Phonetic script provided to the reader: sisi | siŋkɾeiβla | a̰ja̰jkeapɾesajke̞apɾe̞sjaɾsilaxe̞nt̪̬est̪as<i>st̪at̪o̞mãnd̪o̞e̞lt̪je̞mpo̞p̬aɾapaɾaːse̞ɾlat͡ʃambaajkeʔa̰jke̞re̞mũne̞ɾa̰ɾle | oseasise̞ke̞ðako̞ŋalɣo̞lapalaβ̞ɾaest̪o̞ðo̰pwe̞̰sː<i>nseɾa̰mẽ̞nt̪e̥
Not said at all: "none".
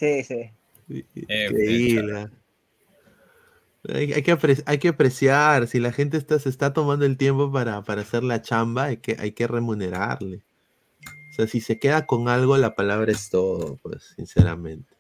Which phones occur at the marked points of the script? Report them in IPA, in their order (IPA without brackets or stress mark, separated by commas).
e, i